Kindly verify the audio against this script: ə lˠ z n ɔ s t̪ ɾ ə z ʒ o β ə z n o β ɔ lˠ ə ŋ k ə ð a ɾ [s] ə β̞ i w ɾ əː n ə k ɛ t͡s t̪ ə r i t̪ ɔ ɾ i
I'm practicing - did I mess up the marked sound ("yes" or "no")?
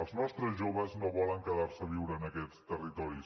no